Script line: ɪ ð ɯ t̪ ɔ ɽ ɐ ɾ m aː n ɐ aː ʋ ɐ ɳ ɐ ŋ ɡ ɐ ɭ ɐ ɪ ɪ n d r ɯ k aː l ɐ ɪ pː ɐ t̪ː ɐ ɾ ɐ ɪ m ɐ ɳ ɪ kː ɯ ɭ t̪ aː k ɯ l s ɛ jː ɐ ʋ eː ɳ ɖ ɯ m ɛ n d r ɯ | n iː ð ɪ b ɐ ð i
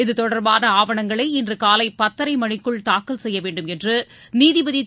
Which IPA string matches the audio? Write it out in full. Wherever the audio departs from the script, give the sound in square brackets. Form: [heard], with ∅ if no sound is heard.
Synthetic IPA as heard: ɪ ð ɯ t̪ ɔ ɽ ɐ ɾ [b] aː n ɐ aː ʋ ɐ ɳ ɐ ŋ ɡ ɐ ɭ ɐ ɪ ɪ n d r ɯ k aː l ɐ ɪ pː ɐ t̪ː ɐ ɾ ɐ ɪ m ɐ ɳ ɪ kː ɯ ɭ t̪ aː k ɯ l s ɛ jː ɐ ʋ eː ɳ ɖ ɯ m ɛ n d r ɯ | n iː ð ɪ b ɐ ð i